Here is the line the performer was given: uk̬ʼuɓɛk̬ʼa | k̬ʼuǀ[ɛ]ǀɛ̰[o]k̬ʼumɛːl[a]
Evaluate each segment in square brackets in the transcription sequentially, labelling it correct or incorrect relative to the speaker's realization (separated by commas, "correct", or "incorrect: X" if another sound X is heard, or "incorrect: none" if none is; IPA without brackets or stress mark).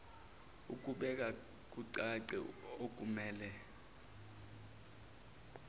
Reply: incorrect: a, correct, incorrect: ɛ